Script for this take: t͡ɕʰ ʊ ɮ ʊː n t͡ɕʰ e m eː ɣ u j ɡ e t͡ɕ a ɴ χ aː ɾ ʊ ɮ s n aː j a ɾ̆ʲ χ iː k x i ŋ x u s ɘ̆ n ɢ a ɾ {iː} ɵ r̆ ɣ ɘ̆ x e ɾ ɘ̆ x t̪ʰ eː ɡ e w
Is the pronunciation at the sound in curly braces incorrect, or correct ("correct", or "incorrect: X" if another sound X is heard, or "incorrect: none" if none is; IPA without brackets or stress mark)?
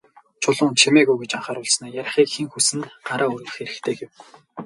incorrect: aː